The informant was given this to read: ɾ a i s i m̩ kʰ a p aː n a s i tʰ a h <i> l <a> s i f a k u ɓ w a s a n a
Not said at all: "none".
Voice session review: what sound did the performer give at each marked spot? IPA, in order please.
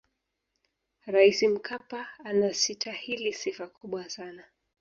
i, i

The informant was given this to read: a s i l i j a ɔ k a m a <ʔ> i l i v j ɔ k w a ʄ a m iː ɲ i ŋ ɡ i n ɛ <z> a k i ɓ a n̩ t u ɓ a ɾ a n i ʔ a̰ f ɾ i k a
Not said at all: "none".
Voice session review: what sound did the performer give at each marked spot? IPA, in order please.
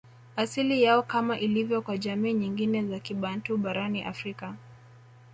ʔ, z

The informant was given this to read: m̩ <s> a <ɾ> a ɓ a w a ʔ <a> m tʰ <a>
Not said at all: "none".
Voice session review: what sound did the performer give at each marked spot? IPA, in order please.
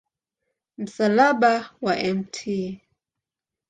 s, l, ɛ, i

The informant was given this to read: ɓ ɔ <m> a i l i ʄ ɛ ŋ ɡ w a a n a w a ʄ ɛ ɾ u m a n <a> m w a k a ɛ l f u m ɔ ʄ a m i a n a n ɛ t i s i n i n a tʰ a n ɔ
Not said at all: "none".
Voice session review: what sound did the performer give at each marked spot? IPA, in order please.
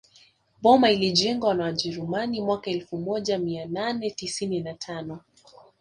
m, i

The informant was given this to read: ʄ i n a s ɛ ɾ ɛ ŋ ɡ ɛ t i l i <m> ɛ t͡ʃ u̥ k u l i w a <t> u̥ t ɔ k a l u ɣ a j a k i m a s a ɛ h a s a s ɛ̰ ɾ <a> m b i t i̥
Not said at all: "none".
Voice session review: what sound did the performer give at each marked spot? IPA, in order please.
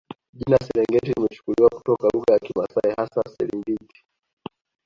m, k, i

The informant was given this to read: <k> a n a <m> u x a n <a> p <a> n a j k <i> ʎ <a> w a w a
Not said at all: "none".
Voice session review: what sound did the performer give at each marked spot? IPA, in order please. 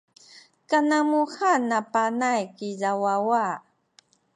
k, m, a, a, i, a

